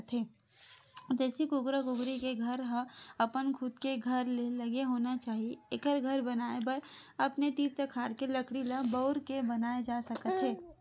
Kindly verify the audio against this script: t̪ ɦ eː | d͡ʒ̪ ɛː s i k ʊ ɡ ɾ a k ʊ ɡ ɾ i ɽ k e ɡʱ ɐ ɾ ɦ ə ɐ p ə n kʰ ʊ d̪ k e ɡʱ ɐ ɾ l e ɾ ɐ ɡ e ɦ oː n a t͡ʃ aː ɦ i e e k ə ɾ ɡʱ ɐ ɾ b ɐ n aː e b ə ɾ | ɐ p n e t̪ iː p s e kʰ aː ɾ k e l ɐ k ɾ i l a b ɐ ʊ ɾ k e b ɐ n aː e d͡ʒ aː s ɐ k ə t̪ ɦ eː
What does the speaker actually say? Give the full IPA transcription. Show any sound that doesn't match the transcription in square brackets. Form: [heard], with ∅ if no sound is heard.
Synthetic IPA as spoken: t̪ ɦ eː | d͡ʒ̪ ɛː s i k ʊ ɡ ɾ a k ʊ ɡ ɾ i [∅] k e ɡʱ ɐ ɾ ɦ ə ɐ p ə n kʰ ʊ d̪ k e ɡʱ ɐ ɾ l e [l] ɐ ɡ e ɦ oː n a t͡ʃ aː ɦ i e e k ə ɾ ɡʱ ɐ ɾ b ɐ n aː e b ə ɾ | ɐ p n e t̪ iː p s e kʰ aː ɾ k e l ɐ k [ɽ] i l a b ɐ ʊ ɾ k e b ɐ n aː e d͡ʒ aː s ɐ k ə t̪ ɦ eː